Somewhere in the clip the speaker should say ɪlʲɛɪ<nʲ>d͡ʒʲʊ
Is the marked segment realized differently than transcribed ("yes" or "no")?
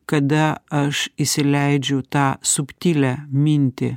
yes